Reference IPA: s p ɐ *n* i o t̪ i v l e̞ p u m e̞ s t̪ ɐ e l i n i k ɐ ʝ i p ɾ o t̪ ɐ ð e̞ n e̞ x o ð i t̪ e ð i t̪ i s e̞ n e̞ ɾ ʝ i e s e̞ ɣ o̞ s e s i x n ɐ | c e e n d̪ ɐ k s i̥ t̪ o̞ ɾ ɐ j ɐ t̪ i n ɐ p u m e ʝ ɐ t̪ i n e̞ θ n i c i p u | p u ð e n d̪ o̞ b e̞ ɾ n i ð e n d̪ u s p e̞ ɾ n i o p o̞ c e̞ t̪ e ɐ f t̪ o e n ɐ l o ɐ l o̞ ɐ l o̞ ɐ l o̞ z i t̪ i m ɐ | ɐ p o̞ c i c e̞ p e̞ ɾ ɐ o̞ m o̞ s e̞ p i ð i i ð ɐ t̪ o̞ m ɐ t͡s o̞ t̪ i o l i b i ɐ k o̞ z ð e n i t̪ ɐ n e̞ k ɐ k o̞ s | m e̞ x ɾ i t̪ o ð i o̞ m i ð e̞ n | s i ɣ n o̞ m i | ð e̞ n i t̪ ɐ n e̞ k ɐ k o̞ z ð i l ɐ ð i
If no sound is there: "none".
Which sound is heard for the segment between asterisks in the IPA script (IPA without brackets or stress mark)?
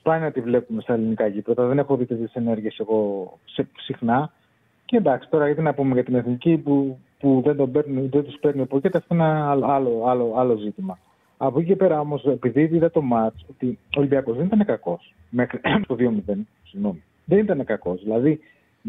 n